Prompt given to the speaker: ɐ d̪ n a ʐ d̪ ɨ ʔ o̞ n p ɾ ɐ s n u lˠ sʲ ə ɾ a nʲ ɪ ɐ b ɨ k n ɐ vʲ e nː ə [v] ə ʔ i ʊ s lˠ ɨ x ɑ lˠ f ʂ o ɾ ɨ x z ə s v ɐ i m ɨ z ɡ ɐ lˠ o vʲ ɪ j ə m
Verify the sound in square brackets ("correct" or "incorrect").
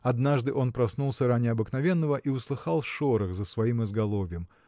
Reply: correct